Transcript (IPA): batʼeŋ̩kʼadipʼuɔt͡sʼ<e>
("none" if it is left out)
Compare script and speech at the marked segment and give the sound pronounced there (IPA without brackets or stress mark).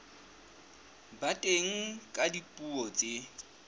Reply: e